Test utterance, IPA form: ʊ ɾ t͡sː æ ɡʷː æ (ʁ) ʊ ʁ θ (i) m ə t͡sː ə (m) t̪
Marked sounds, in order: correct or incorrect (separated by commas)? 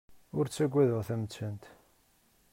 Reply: incorrect, incorrect, incorrect